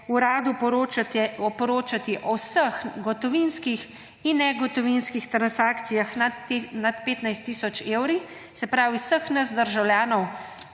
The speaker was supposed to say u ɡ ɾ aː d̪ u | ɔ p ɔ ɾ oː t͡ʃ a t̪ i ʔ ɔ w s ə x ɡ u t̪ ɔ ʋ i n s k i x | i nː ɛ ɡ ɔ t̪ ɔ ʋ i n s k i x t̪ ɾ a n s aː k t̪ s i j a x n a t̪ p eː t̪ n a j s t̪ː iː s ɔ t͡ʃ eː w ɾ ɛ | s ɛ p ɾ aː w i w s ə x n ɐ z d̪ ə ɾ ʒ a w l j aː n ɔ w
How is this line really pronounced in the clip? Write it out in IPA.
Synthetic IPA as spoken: u ɾ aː d̪ u | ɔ p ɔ ɾ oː t͡ʃ a t̪ i ʔ ɔ w s ə x ɡ ɔ t̪ ɔ ʋ i n s k i x | i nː ɛ ɡ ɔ t̪ ɔ ʋ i n s k i x t̪ ɾ a n s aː k t̪ s i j a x n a t̪ p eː t̪ n a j s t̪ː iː s ɔ t͡ʃ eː w ɾ i | s ɛ p ɾ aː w i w s ə x n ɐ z d̪ ə ɾ ʒ a w l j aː n ɔ w